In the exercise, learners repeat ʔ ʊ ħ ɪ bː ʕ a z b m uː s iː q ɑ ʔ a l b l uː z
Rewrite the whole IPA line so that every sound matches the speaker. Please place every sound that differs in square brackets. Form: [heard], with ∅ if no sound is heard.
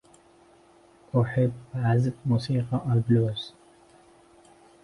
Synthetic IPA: ʔ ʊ ħ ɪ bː ʕ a z b m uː s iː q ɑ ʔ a l b l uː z